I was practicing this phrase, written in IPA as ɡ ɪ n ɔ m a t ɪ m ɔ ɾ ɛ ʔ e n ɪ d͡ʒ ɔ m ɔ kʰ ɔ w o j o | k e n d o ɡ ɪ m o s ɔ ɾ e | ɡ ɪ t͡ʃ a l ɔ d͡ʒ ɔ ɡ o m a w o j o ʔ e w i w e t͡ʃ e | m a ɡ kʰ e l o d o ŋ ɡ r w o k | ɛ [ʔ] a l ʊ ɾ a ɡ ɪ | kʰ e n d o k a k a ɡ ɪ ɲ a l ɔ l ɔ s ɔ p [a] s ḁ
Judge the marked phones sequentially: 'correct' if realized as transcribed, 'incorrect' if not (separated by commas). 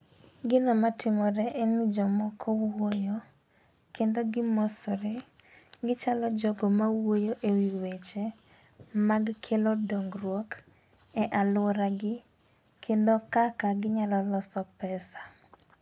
correct, incorrect